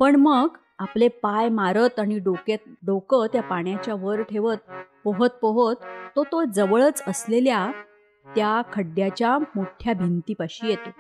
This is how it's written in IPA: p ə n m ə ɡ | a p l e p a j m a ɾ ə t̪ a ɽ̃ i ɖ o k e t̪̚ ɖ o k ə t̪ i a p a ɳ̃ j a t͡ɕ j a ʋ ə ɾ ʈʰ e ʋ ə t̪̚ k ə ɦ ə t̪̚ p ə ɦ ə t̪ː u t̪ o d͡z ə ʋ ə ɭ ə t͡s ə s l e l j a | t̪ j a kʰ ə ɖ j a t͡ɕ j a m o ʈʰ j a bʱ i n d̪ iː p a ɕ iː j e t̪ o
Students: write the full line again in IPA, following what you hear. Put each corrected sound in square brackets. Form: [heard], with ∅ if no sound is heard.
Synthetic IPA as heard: p ə [ɳ] m ə ɡ | a p l e p a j m a ɾ ə t̪ a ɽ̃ i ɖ o k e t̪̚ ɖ o k ə t̪ [j] a p a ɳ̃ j a t͡ɕ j a ʋ ə ɾ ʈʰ e ʋ ə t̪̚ [p] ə ɦ ə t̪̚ p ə ɦ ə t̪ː [o] t̪ o d͡z ə ʋ ə ɭ ə t͡s ə s l e l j a | t̪ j a kʰ ə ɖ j a t͡ɕ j a m o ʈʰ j a bʱ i n [t̪] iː p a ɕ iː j e t̪ o